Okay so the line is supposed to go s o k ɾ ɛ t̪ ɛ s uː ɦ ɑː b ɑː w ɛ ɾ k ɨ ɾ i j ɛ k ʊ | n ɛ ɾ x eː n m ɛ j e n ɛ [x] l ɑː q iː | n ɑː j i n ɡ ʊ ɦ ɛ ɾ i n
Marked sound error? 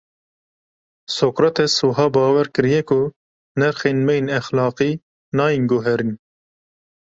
no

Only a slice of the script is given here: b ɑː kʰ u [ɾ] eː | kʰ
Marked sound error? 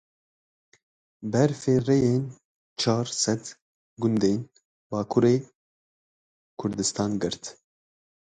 no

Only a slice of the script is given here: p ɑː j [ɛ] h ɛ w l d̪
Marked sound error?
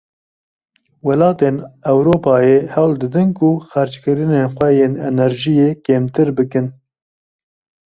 yes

